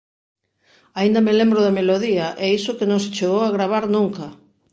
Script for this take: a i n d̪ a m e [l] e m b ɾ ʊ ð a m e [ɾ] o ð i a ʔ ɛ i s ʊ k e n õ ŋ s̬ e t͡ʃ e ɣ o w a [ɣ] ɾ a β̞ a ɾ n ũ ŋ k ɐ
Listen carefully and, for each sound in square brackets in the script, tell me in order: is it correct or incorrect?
correct, incorrect, correct

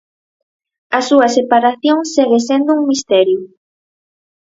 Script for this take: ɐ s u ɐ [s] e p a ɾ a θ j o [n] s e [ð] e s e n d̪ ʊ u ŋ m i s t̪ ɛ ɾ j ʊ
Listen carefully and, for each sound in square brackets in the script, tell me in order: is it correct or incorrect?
correct, incorrect, incorrect

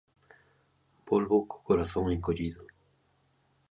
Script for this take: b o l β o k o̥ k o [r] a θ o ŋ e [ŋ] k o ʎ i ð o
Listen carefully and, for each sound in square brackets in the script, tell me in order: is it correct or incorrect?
incorrect, correct

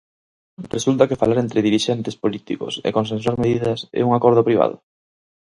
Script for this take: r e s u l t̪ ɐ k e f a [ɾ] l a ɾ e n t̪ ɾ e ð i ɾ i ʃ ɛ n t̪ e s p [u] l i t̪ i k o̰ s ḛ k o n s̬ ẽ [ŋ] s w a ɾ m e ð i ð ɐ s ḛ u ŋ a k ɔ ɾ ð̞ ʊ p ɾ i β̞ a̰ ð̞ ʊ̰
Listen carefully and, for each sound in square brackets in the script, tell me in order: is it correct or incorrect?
incorrect, incorrect, incorrect

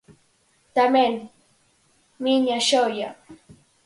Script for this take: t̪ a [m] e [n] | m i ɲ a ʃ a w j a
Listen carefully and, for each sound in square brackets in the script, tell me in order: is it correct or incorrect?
correct, correct

